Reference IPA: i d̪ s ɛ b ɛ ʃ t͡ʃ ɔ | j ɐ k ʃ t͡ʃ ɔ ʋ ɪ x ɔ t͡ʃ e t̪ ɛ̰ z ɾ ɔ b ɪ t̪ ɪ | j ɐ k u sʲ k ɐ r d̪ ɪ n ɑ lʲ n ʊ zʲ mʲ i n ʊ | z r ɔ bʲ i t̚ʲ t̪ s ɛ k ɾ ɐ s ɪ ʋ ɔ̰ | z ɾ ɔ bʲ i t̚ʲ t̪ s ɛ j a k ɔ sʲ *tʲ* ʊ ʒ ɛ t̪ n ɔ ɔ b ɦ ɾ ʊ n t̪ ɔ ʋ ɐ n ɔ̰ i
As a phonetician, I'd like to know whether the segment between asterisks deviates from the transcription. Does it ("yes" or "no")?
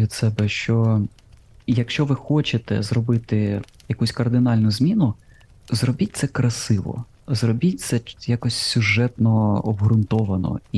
yes